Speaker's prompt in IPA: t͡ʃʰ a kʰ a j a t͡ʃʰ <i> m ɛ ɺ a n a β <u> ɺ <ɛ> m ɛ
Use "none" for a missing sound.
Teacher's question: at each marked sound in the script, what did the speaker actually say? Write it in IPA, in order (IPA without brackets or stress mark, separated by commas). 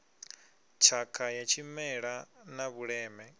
i, u, ɛː